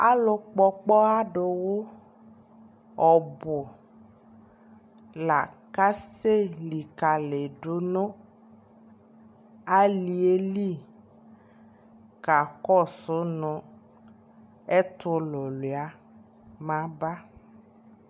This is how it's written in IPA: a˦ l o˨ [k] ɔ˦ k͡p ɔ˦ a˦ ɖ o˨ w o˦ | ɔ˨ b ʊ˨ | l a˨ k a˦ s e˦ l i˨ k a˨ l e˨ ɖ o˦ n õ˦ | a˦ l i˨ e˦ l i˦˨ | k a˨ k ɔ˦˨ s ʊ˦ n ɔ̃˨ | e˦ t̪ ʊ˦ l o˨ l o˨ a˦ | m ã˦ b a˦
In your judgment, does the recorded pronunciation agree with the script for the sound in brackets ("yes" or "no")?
no